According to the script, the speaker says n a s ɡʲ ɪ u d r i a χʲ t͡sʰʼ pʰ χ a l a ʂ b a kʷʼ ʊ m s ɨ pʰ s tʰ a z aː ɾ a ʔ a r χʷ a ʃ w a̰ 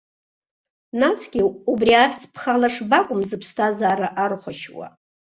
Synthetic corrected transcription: n a s ɡʲ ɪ u b r i a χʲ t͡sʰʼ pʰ χ a l a ʂ b a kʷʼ ʊ m z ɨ pʰ s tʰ a z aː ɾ a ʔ a r χʷ a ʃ w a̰

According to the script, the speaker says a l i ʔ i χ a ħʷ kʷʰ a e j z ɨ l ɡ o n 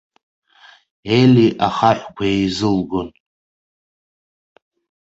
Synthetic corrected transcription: e l i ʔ a χ a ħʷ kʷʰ a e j z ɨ l ɡ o n

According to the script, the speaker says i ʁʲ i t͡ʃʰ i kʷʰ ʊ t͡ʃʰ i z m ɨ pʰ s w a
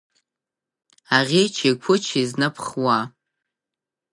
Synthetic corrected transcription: a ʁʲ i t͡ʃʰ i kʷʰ ʊ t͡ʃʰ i z n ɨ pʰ χ w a

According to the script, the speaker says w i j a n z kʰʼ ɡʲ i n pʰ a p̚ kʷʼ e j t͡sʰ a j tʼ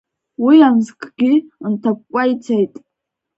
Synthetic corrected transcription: w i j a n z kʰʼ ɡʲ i n tʰ a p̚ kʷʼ a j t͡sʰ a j tʼ

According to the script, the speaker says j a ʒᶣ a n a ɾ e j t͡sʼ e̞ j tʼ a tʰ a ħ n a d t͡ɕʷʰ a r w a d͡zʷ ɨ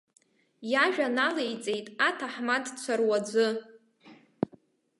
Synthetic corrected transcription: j a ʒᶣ a n a l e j t͡sʼ e̞ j tʼ a tʰ a ħ m a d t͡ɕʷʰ a r w a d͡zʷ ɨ

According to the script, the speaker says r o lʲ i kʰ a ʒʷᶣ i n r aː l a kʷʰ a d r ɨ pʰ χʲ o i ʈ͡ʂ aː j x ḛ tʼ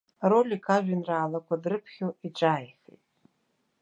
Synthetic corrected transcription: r o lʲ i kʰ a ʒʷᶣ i n r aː l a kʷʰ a d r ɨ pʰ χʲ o i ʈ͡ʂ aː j x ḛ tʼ

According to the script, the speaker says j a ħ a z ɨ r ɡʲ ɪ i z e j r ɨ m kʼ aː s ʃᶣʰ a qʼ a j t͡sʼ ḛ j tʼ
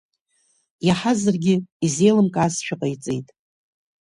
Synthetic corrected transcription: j a ħ a z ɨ r ɡʲ ɪ i z e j l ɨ m kʼ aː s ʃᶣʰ a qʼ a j t͡sʼ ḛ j tʼ

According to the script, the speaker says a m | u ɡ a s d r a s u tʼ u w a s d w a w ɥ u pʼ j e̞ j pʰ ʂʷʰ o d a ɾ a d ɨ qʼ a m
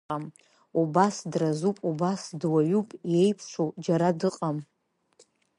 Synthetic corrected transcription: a m | u b a s d r a z u pʼ u b a s d w a ɥ u pʼ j e̞ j pʰ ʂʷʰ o d͡ʒ a ɾ a d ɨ qʼ a m

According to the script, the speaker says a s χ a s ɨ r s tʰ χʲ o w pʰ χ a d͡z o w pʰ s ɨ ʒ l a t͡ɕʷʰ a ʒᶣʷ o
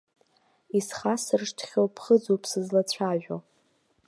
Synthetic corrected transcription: i s χ a s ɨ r ʂ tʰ χʲ o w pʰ χ ə d͡z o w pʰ s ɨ z l a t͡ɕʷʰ a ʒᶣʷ o

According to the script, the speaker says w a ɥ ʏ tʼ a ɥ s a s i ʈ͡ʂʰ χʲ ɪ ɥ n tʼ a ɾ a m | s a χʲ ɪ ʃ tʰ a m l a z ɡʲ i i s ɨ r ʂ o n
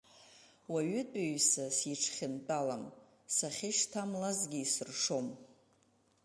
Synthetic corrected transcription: w a ɥ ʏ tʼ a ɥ s a s i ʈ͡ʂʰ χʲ ɪ n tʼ a l a m | s a χʲ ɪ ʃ tʰ a m l a z ɡʲ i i s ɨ r ʂ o m

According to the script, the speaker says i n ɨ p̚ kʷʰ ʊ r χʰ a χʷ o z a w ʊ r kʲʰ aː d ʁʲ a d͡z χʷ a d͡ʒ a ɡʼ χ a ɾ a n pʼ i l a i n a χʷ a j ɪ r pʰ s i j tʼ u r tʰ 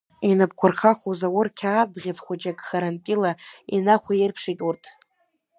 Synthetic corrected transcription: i n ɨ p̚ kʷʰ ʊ r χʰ a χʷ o z a w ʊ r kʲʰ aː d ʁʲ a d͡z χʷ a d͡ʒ a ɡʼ χ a ɾ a n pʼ i l a i n a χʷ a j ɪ r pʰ ʂ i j tʼ u r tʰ

